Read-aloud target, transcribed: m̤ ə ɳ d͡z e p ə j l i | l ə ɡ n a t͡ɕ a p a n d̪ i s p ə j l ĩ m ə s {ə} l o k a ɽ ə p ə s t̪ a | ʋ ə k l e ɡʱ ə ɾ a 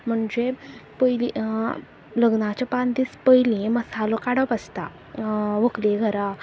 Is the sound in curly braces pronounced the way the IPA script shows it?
no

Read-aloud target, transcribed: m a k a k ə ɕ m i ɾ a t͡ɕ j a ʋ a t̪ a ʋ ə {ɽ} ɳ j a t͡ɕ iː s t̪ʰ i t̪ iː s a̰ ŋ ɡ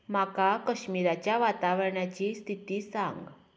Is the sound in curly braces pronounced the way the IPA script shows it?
no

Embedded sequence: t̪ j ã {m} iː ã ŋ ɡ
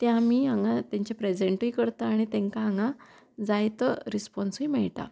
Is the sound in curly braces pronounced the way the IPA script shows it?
yes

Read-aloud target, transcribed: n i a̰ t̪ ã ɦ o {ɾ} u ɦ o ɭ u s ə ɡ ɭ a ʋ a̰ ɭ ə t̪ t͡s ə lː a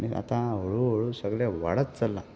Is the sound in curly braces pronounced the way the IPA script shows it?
no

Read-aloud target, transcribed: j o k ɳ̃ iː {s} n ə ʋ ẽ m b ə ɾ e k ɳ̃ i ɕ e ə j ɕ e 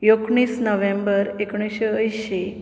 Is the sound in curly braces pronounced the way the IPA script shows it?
yes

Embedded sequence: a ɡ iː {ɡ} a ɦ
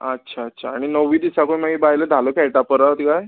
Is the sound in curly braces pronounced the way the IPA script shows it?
no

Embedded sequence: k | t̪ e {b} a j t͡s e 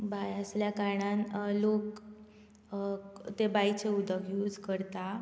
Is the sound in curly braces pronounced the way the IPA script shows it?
yes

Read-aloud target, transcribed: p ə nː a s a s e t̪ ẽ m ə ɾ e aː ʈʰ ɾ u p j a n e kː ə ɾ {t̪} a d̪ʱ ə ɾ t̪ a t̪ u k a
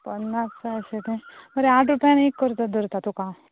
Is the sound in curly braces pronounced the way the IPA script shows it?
yes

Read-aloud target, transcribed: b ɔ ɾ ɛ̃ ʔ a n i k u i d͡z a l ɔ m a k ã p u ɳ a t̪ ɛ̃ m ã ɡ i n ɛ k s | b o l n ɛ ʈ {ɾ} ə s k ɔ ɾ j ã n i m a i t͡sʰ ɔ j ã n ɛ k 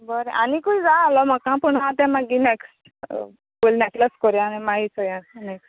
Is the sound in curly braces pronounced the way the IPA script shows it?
no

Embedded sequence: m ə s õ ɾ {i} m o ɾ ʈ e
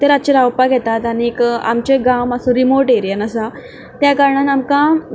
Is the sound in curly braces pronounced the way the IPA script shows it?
yes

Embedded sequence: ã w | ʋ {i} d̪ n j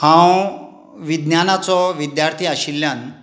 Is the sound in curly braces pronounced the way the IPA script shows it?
yes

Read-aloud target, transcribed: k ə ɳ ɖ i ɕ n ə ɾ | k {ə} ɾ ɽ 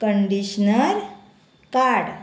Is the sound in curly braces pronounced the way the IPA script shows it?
no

